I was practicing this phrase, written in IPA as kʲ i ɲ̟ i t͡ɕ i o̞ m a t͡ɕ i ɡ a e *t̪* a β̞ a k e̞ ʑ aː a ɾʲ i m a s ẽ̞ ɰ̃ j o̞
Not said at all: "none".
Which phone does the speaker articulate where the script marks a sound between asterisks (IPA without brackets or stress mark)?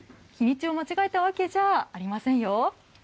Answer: t̪